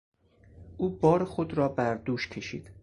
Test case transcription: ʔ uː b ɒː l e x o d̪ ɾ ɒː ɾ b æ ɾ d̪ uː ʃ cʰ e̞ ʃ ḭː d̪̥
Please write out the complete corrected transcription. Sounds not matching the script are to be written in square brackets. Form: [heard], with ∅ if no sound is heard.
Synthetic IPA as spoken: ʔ uː b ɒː [ɾ] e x o d̪ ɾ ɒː [∅] b æ ɾ d̪ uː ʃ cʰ e̞ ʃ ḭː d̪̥

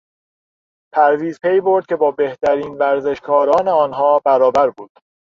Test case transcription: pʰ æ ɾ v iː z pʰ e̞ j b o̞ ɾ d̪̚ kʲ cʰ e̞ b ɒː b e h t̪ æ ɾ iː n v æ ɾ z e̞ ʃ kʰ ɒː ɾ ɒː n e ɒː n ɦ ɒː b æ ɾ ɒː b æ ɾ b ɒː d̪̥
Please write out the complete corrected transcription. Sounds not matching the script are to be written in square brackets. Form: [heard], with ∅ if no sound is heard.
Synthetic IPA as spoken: pʰ æ ɾ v iː z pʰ e̞ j b o̞ ɾ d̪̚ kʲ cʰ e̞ b ɒː b e h t̪ æ ɾ iː n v æ ɾ z e̞ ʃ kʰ ɒː ɾ ɒː n e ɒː n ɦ ɒː b æ ɾ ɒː b æ ɾ b [uː] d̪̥

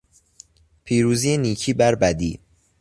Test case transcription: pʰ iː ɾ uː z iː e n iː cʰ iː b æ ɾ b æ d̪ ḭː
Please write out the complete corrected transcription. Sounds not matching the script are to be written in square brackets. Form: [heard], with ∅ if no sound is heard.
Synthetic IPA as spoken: pʰ iː ɾ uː z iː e n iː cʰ iː b æ ɾ b æ d̪ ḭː

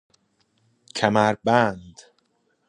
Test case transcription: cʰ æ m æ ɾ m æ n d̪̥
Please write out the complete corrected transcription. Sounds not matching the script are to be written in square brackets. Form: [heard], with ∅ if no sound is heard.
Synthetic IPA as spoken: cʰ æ m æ ɾ [b] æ n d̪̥

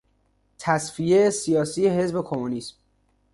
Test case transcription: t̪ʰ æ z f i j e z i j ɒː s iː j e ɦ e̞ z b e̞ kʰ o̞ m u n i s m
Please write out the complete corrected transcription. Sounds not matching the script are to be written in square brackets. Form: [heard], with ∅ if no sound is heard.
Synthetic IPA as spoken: t̪ʰ æ [s] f i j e [s] i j ɒː s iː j e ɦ e̞ z b e̞ kʰ o̞ m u n i s m

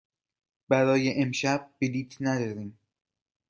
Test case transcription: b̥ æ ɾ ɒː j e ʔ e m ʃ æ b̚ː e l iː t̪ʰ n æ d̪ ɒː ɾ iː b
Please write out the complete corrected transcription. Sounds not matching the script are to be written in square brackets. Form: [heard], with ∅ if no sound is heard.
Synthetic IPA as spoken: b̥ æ ɾ ɒː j e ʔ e m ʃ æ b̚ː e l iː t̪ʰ n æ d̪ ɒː ɾ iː [m]

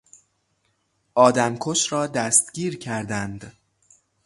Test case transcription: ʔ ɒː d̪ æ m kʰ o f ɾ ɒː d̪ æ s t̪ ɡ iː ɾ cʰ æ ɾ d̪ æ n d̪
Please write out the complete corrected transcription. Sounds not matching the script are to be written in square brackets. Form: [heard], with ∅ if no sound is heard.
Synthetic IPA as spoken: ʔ ɒː d̪ æ m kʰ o [ʃ] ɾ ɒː d̪ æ s t̪ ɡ iː ɾ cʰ æ ɾ d̪ æ n d̪

